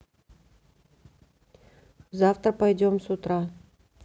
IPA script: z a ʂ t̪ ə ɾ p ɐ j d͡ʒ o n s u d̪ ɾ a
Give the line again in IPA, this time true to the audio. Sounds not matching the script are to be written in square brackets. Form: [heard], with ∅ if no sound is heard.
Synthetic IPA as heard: z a [f] t̪ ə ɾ p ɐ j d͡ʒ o [m] s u [t̪] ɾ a